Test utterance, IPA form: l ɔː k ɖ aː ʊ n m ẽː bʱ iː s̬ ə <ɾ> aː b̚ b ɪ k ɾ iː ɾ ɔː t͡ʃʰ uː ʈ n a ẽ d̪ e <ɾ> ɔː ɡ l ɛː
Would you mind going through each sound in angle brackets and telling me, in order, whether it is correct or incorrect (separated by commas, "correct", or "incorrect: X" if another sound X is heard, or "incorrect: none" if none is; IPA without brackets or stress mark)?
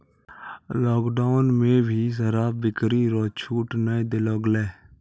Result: correct, incorrect: l